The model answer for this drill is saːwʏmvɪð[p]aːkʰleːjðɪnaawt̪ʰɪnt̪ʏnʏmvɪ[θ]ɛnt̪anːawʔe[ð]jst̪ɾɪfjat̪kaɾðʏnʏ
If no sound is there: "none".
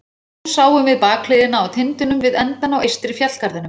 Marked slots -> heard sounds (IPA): p, ð, none

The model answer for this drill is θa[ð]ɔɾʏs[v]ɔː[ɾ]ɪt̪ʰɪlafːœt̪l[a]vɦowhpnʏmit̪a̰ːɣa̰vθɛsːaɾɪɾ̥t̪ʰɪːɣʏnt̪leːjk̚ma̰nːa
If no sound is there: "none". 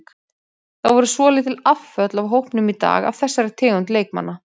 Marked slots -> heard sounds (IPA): v, v, l, a

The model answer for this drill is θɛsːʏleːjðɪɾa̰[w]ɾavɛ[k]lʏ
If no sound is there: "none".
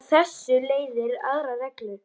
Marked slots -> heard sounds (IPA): ɣ, k

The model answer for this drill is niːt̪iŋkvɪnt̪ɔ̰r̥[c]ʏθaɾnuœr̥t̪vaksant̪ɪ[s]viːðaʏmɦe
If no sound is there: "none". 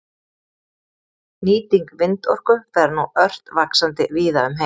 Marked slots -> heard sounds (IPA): k, none

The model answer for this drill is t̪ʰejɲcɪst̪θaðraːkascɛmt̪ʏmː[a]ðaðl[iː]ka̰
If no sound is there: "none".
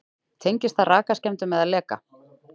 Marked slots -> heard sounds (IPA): ɛ, ɛː

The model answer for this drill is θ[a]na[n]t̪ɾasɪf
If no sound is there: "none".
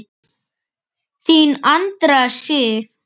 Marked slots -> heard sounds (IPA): i, n

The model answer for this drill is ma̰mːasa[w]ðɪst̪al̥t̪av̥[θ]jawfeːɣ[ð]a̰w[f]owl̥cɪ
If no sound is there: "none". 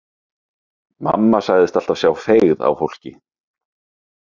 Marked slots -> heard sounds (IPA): ɣ, s, ð, f

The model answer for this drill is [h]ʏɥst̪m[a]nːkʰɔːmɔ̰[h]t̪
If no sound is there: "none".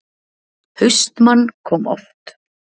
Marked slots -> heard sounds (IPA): h, a, f

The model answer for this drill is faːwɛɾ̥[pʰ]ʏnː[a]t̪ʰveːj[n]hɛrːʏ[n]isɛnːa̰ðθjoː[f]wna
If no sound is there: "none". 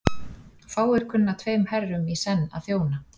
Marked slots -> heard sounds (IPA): kʰ, a, m, m, none

